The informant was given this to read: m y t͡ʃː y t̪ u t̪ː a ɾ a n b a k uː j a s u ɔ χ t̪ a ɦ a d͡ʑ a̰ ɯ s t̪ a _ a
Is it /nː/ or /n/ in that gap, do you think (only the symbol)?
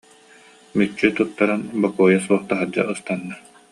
nː